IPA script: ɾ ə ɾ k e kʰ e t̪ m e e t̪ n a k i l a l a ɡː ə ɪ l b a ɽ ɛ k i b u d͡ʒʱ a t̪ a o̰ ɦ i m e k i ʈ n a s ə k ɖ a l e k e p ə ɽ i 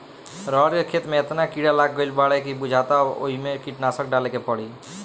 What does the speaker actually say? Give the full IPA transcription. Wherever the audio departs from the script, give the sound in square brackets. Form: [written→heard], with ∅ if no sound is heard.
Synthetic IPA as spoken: ɾ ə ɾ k e kʰ e t̪ m e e t̪ n a k i [l→ɽ] a l a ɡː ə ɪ l b a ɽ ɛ k i b u d͡ʒʱ a t̪ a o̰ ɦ i m e k i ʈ n a s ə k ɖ a l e k e p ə ɽ i